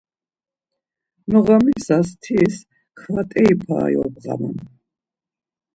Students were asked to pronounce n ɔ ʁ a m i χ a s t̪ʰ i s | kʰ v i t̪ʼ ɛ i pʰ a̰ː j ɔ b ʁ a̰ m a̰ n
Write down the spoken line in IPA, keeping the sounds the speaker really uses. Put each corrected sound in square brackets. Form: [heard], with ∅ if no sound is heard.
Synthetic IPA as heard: n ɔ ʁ a m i [s] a s t̪ʰ i s | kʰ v [a] t̪ʼ ɛ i pʰ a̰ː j ɔ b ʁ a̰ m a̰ n